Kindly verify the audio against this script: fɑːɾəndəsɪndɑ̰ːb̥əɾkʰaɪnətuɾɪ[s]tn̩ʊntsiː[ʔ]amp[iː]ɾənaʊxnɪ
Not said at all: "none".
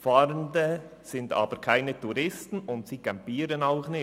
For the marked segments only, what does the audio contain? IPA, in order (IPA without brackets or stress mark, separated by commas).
s, k, iː